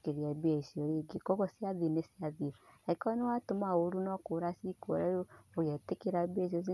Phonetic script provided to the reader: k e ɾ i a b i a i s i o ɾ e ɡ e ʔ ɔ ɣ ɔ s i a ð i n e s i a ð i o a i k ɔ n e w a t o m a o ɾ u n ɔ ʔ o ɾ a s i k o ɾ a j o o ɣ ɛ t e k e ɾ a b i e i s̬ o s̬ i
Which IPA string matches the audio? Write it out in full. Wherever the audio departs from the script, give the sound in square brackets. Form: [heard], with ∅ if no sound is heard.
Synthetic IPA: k e ɾ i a b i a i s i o ɾ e ɡ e [k] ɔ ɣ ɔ s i a ð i n e s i a ð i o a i k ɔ n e w a t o m a o ɾ u n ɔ [k] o ɾ a s i k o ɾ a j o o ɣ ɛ t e k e ɾ a b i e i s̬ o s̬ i